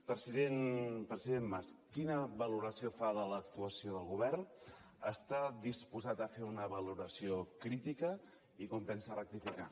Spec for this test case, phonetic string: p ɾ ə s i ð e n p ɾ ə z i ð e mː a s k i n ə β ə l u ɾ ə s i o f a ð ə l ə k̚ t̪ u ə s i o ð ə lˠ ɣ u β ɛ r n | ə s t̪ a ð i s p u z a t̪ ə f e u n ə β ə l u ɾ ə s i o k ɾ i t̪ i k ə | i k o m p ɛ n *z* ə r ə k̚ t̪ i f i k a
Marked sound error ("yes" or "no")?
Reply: yes